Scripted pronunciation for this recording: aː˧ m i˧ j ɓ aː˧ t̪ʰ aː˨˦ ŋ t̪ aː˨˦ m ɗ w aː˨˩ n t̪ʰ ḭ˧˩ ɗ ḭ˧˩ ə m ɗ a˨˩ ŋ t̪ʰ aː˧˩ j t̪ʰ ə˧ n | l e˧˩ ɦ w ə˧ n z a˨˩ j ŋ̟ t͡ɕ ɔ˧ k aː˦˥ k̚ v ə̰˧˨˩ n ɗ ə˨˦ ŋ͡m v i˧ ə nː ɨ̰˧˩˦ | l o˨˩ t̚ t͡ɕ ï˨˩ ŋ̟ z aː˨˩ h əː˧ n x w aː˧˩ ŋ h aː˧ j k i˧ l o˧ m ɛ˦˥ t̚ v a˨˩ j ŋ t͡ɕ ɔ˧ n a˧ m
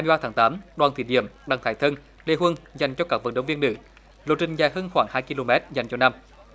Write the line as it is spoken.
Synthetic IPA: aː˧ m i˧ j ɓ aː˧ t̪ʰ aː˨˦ ŋ t̪ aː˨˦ m ɗ w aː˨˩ n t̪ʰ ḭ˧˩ ɗ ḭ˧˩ ə m ɗ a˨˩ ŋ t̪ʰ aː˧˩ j t̪ʰ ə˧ n | l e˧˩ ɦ w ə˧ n z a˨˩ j ŋ̟ t͡ɕ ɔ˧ k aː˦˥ k̚ v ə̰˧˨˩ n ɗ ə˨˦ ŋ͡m v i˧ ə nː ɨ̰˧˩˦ | l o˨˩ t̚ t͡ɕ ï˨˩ ŋ̟ z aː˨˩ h əː˧ n x w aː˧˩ ŋ h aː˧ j k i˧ l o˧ m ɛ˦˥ t̚ z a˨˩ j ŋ t͡ɕ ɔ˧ n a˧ m